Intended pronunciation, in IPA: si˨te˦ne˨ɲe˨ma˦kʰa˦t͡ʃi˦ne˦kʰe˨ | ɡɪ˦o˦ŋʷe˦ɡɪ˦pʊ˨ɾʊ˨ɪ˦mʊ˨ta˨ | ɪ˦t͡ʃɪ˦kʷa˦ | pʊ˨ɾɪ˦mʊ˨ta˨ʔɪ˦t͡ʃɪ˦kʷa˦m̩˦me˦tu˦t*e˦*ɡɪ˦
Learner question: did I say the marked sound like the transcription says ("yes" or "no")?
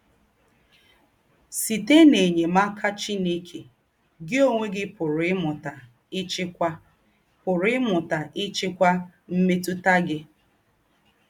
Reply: no